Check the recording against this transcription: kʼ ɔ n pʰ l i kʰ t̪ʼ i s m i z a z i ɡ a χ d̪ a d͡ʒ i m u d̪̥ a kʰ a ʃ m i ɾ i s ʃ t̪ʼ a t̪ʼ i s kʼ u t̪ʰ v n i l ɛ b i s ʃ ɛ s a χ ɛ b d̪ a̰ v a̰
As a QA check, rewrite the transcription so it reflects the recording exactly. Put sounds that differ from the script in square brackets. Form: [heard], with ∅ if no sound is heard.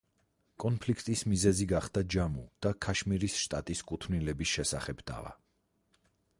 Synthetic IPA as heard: kʼ ɔ n pʰ l i kʰ t̪ʼ i s m i z [ɛ] z i ɡ a χ d̪ a d͡ʒ [a] m u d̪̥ a kʰ a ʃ m i ɾ i s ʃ t̪ʼ a t̪ʼ i s kʼ u t̪ʰ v n i l ɛ b i s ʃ ɛ s a χ ɛ b d̪ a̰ v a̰